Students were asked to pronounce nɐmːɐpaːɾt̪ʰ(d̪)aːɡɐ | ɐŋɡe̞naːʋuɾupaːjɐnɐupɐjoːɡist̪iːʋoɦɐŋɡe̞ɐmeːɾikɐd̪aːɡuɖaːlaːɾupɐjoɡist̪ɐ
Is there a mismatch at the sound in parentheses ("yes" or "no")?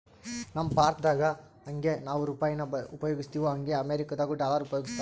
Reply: no